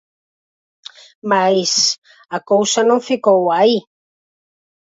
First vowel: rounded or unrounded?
unrounded